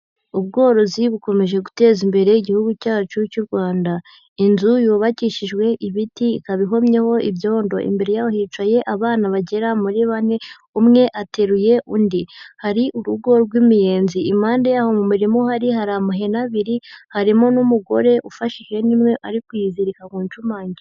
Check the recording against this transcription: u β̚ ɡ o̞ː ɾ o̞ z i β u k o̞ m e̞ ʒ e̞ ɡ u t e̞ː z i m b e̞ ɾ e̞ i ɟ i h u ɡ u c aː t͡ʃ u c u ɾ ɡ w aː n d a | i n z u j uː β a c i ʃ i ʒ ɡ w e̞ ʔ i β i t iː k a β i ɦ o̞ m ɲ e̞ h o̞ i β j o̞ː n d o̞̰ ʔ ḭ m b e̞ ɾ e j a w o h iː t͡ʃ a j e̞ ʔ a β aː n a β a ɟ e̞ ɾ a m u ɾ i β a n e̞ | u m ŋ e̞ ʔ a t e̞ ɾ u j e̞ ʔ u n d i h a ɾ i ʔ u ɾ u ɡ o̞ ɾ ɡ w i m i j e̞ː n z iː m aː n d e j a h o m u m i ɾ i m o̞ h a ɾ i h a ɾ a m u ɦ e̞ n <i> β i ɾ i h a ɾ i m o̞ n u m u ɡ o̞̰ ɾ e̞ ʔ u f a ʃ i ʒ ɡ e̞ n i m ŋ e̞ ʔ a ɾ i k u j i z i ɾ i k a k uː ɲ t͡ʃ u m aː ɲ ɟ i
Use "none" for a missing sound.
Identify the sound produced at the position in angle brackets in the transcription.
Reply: a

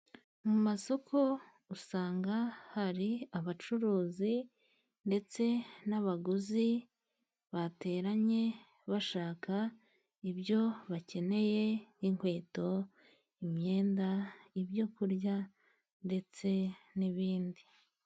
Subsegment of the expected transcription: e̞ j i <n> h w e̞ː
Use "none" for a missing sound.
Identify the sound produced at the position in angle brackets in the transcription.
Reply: ŋ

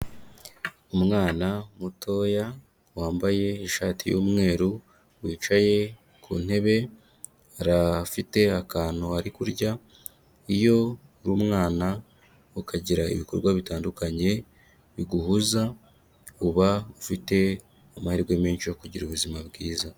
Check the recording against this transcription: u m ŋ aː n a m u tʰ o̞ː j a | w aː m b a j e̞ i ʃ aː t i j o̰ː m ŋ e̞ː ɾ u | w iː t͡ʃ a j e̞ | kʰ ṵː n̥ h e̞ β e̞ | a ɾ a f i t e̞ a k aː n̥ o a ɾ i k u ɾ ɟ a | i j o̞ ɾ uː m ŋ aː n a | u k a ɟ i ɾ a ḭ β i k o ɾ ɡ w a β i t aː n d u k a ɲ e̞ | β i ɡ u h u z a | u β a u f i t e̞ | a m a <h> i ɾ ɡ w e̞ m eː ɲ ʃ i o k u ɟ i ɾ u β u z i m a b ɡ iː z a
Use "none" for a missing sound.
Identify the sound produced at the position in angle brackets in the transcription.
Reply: h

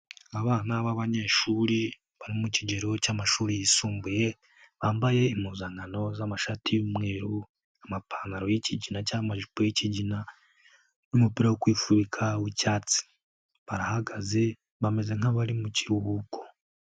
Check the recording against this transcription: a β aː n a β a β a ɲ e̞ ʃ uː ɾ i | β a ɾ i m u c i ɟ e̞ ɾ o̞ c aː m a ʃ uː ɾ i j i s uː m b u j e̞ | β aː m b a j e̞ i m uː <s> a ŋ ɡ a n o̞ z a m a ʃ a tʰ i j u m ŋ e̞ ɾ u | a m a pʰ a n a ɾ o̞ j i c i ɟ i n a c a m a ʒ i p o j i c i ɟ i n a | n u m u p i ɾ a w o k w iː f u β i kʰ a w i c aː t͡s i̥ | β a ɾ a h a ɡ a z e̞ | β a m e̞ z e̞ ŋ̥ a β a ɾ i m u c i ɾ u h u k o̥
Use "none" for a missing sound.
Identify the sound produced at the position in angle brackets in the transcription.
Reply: z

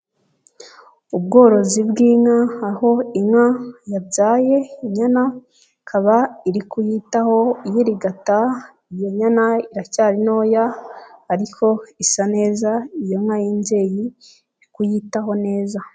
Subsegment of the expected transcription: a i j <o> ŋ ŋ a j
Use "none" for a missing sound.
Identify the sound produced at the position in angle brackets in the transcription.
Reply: o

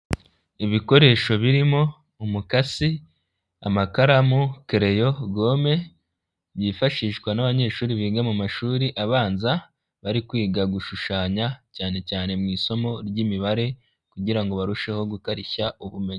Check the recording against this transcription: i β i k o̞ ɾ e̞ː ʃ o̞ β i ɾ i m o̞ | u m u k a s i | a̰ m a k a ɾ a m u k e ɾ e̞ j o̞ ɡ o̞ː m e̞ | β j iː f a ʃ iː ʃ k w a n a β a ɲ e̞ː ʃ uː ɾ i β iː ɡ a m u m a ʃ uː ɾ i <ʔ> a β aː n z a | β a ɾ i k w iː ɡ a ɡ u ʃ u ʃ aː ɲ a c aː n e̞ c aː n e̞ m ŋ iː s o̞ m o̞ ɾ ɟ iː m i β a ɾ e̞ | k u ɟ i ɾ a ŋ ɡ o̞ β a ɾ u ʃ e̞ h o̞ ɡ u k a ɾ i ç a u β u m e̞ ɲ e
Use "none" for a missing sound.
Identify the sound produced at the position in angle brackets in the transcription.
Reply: ʔ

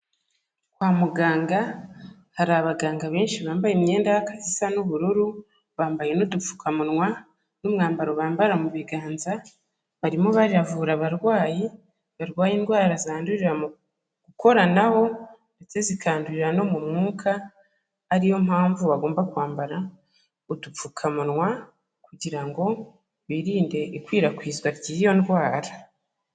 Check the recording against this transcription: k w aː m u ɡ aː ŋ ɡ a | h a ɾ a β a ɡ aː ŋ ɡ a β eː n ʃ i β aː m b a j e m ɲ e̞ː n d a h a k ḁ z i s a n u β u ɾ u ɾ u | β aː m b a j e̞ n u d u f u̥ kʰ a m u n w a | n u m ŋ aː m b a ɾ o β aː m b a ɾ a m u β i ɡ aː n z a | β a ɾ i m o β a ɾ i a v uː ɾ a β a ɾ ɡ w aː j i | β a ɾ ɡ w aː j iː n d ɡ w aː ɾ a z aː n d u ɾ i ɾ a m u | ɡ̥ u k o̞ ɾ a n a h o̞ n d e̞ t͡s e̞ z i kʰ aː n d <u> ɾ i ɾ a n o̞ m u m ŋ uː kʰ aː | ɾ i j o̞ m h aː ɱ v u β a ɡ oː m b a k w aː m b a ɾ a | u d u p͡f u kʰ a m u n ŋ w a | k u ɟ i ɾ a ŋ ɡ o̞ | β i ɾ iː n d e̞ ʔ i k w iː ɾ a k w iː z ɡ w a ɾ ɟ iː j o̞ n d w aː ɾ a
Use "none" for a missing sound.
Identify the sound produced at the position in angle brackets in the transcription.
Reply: u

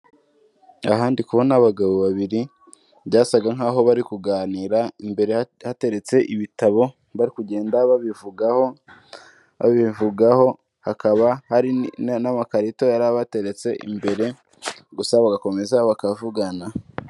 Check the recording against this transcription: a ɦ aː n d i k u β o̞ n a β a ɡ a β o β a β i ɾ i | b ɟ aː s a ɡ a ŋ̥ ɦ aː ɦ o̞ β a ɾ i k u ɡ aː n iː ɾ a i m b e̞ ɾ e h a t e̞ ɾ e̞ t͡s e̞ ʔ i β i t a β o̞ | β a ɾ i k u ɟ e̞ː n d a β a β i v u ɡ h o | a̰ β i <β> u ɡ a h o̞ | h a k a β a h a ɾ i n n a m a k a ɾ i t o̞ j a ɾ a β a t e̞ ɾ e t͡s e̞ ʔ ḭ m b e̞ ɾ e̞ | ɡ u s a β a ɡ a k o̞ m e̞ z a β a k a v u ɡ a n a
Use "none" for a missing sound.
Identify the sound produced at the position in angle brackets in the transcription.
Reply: v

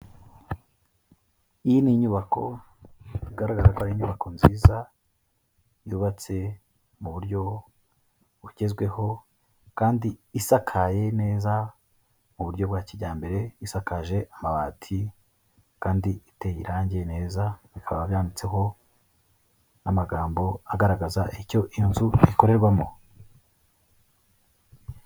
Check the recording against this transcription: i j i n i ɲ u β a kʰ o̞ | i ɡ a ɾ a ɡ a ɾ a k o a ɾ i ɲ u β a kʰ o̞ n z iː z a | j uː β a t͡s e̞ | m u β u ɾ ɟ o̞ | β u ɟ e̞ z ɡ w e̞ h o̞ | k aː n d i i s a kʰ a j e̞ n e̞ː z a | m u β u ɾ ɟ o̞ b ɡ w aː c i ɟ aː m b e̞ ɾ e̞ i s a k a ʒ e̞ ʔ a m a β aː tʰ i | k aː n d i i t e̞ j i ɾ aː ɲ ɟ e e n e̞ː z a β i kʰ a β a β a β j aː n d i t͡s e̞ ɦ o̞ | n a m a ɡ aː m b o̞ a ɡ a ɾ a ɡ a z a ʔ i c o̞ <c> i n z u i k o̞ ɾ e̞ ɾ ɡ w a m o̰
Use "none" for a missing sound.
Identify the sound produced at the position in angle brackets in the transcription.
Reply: ʔ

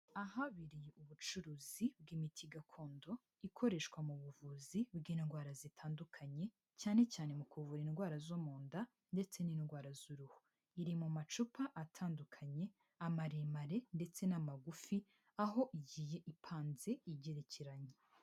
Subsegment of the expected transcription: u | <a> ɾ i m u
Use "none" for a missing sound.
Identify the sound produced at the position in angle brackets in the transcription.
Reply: i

